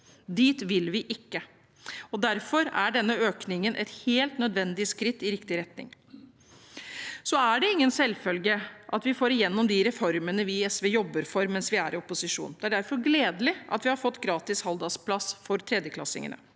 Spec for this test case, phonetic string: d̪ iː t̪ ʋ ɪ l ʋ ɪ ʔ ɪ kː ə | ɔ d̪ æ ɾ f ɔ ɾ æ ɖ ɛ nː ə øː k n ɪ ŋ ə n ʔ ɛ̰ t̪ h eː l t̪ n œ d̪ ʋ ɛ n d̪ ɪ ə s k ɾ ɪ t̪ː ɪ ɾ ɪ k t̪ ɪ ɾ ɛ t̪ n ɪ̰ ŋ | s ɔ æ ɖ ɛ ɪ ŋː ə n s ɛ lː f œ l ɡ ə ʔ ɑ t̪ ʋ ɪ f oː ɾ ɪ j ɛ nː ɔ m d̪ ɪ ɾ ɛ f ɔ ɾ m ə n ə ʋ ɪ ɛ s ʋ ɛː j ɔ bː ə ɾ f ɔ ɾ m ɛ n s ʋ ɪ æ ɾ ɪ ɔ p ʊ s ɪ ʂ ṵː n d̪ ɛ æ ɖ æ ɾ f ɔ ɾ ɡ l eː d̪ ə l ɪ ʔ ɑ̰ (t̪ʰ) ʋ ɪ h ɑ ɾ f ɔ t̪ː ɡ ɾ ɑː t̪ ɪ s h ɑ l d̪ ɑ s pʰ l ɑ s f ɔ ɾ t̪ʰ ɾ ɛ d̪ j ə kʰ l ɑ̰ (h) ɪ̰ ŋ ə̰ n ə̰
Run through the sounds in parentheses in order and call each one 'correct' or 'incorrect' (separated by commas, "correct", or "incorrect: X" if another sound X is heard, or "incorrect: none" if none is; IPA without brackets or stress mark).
incorrect: t̪, incorrect: s